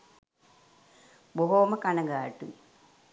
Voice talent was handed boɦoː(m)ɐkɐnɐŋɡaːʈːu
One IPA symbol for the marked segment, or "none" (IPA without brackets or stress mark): m